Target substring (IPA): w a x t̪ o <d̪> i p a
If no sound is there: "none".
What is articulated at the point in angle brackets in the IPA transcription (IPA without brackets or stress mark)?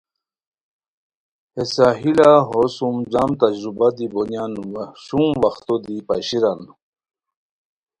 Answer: d̪